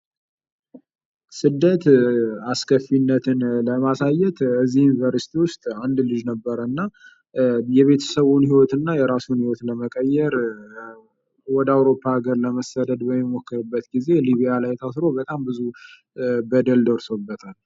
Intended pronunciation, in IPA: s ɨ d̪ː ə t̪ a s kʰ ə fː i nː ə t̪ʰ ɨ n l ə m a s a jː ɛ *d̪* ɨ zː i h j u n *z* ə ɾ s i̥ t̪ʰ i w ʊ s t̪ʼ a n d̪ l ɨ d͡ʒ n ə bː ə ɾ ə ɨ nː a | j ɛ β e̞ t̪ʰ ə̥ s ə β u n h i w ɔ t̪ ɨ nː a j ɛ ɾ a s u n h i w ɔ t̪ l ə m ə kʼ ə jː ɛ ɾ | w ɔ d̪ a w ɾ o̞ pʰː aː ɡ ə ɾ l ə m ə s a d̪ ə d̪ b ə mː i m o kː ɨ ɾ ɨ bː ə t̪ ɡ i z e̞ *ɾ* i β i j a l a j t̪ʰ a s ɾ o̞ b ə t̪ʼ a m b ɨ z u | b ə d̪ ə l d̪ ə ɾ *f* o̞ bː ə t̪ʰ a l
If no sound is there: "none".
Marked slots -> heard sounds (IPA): t̪, v, l, s

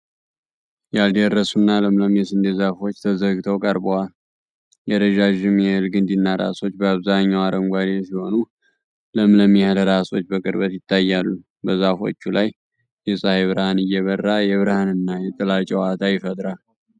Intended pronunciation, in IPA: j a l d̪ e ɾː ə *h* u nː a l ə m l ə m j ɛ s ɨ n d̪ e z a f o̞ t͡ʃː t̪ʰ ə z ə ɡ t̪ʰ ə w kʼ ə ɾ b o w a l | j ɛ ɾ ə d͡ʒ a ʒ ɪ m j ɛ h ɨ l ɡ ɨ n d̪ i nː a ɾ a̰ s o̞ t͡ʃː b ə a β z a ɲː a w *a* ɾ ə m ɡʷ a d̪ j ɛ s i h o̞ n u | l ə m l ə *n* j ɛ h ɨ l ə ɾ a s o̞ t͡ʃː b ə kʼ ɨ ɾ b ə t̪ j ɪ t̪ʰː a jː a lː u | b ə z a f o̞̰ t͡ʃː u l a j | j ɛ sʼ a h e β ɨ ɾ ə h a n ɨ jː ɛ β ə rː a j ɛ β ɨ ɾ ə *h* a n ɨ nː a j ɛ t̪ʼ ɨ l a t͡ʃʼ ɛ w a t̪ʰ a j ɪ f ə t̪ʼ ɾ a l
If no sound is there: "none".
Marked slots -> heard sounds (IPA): s, a, m, h

